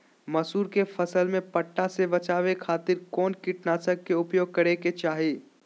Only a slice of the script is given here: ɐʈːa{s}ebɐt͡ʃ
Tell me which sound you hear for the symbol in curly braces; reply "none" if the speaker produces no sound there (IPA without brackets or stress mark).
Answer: s